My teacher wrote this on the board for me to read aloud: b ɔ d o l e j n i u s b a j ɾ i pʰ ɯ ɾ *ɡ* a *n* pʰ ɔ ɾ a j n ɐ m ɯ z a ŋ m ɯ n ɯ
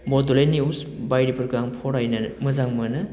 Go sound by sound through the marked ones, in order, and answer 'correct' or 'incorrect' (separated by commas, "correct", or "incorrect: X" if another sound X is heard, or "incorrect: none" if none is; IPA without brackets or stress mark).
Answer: correct, incorrect: ŋ